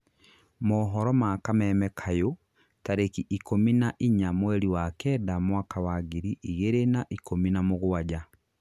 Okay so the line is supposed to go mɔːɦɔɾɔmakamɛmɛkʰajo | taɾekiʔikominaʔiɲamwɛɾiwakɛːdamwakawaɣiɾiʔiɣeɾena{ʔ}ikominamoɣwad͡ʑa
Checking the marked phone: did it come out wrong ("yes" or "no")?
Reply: no